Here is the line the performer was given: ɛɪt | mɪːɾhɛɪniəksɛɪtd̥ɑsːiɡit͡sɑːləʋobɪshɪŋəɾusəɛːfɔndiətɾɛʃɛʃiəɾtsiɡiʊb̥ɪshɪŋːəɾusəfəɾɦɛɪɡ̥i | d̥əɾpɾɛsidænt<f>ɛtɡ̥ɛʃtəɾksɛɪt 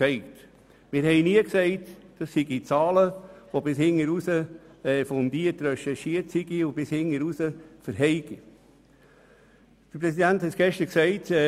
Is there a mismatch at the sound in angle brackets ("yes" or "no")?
yes